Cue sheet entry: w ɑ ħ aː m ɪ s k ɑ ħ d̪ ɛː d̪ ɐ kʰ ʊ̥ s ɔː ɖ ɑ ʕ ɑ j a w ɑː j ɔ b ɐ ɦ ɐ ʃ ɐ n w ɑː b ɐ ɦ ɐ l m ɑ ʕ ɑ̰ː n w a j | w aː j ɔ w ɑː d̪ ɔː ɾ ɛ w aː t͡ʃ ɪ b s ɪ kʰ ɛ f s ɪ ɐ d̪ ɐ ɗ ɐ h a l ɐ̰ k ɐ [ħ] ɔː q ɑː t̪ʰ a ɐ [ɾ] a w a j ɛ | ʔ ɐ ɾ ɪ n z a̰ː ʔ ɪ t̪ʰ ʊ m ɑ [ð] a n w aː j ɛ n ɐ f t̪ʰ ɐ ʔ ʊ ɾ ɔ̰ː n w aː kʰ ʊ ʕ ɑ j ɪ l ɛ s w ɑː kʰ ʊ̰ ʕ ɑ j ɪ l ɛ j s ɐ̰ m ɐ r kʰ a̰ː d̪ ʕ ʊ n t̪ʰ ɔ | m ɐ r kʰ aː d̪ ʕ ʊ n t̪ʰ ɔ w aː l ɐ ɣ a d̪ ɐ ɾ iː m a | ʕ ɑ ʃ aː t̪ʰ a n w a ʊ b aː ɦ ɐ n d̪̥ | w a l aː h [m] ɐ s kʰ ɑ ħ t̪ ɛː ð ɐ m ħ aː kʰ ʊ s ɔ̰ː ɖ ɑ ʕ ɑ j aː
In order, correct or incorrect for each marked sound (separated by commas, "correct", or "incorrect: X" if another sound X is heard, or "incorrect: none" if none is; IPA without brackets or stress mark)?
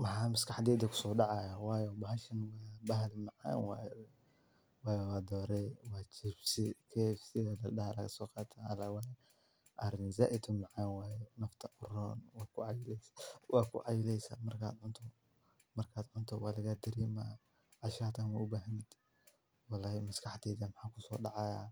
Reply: incorrect: s, incorrect: l, incorrect: ʕ, correct